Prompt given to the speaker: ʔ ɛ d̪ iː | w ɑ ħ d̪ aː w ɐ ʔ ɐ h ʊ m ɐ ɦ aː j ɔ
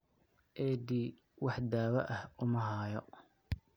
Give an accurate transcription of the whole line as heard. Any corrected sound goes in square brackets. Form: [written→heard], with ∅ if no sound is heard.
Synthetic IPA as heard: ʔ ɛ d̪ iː | w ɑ ħ d̪ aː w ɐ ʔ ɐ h ʊ m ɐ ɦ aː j ɔ